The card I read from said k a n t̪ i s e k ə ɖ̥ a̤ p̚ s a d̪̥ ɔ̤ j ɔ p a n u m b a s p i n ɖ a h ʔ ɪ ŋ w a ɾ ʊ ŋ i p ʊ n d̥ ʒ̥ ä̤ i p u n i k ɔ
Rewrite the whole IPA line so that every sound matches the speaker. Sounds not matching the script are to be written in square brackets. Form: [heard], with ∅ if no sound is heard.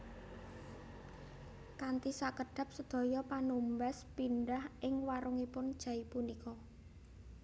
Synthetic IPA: k a n t̪ i s [a] k ə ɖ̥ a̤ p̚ s [ə] d̪̥ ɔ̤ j ɔ p a n u m b a s p i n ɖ a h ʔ ɪ ŋ w a ɾ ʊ ŋ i p ʊ n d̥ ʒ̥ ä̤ i p u n i k ɔ

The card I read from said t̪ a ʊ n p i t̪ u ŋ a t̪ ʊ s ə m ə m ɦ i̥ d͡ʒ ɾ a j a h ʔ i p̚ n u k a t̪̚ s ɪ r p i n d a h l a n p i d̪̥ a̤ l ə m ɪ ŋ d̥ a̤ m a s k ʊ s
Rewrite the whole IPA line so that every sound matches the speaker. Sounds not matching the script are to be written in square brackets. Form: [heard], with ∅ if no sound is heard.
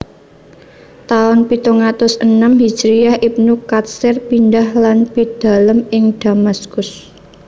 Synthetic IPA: t̪ a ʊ n p i t̪ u ŋ a t̪ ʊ s ə [n] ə m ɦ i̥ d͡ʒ ɾ [i] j a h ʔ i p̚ n u k a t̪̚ s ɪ r p i n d a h l a n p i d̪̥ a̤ l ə m ɪ ŋ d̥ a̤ m a s k ʊ s

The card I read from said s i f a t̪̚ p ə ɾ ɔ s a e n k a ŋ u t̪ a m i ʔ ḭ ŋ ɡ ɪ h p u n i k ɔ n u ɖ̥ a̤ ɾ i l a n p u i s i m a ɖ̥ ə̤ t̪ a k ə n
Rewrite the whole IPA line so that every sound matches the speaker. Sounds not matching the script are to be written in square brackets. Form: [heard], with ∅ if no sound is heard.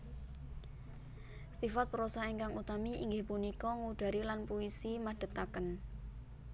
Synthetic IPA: s i f a t̪̚ p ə ɾ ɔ s a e [ŋ] k a ŋ u t̪ a m i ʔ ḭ ŋ ɡ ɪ h p u n i k ɔ [ŋ] u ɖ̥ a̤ ɾ i l a n p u i s i m a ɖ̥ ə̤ t̪ a k ə n

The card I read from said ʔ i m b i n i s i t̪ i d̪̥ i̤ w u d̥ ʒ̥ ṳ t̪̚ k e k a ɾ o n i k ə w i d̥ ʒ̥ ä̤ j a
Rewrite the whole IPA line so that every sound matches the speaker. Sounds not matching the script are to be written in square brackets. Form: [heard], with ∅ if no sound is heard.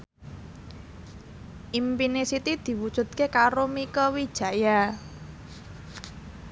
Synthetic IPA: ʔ i m [p] i n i s i t̪ i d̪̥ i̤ w u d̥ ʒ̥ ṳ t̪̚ k e k a ɾ o [m] i k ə w i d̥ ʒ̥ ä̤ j a

